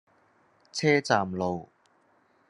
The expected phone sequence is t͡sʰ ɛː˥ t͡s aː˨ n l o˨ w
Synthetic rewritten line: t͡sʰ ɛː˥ t͡s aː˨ m l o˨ w